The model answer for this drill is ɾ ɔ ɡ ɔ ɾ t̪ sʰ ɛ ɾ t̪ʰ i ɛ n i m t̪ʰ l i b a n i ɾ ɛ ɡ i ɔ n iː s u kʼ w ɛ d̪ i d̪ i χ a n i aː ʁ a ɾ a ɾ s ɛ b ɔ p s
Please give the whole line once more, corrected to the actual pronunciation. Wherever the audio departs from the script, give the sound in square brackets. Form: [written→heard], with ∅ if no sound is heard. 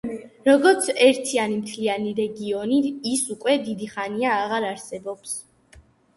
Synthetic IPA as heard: ɾ ɔ ɡ ɔ ɾ t̪ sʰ ɛ ɾ t̪ʰ i [ɛ→a] n i m t̪ʰ l i [b→∅] a n i ɾ ɛ ɡ i ɔ n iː s u kʼ w ɛ d̪ i d̪ i χ a n i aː ʁ a ɾ a ɾ s ɛ b ɔ p s